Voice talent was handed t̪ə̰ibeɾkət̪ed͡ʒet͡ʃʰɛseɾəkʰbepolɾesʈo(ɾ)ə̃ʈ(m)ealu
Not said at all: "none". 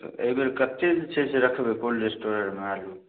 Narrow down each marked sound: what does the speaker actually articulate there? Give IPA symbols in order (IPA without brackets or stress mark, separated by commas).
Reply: ɾ, m